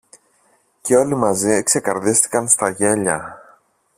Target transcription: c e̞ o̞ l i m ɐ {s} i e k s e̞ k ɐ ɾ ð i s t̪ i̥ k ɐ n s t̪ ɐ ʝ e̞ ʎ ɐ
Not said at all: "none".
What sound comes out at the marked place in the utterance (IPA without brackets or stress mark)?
z